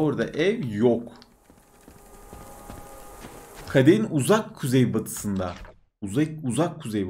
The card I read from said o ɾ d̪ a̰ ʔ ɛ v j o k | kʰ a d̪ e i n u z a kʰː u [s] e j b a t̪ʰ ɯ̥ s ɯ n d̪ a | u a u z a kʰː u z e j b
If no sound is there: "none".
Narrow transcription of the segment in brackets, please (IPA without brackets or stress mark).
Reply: z